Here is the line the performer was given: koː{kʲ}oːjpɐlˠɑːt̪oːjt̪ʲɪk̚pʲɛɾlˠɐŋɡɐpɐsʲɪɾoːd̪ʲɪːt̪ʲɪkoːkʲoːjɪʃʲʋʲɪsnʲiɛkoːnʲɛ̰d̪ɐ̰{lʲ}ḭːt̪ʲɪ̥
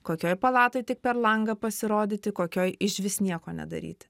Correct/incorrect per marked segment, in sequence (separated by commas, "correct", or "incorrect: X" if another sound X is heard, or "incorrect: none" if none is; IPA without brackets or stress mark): correct, incorrect: ɾʲ